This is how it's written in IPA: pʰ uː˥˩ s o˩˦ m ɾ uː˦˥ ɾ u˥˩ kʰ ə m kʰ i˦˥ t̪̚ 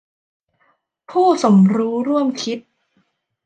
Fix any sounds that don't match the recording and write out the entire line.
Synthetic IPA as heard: pʰ uː˥˩ s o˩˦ m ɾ uː˦˥ ɾ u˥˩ ə m kʰ i˦˥ t̪̚